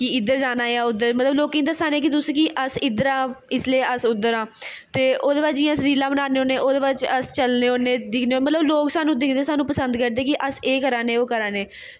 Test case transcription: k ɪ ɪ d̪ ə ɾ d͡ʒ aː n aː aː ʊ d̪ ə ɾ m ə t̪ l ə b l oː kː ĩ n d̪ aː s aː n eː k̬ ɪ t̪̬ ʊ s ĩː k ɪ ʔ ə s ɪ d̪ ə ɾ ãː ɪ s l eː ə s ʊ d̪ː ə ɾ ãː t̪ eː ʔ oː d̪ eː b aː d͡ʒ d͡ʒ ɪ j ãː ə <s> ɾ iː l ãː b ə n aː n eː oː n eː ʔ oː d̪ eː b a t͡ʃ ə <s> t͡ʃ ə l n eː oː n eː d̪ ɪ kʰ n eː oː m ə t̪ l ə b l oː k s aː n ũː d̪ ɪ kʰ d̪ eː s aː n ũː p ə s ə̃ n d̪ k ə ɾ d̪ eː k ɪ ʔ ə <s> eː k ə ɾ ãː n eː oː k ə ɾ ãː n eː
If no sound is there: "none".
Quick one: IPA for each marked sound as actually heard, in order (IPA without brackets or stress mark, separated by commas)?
s, s, s